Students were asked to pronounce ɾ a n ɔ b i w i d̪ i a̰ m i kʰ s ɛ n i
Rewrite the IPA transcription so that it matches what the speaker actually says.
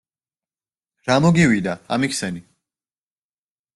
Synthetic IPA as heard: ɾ a m ɔ ɡ i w i d̪ a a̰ m i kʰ s ɛ n i